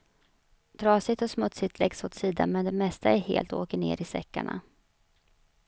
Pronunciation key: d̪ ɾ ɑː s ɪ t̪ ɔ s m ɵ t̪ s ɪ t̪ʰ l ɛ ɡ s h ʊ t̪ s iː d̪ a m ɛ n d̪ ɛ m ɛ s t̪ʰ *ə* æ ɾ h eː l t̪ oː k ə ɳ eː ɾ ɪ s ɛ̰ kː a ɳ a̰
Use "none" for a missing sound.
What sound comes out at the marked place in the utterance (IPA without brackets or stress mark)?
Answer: a